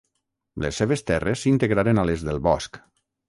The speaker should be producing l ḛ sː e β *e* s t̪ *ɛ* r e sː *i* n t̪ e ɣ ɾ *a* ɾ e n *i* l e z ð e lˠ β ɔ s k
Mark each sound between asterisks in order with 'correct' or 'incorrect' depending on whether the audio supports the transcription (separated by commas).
correct, correct, correct, correct, incorrect